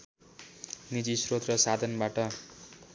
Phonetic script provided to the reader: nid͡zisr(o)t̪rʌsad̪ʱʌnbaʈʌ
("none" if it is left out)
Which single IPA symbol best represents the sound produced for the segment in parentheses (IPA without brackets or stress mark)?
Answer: o